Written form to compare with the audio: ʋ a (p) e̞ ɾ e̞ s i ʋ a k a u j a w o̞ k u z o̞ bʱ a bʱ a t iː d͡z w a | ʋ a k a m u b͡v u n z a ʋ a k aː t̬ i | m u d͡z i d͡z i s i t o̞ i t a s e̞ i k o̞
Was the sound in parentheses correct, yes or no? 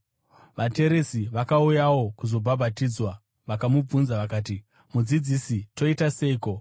no